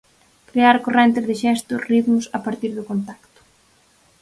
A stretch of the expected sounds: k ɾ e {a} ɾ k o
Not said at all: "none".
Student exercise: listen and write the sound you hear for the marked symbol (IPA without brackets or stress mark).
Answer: a